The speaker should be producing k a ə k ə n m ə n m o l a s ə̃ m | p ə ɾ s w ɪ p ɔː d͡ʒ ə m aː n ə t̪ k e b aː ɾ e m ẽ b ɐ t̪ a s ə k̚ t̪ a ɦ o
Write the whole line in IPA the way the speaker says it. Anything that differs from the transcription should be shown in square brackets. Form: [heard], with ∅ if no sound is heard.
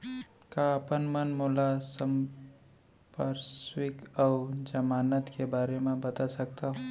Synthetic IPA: k a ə [p] ə n m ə n m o l a s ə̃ m | p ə ɾ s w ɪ [k] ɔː d͡ʒ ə m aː n ə t̪ k e b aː ɾ e m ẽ b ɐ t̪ a s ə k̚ t̪ a ɦ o